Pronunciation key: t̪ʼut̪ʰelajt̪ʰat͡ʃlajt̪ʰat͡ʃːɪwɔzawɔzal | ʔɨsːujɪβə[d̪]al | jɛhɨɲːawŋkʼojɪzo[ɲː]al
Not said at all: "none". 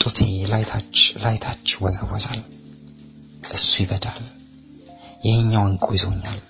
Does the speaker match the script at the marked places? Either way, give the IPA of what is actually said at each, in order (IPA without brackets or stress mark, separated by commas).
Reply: d̪, ɲː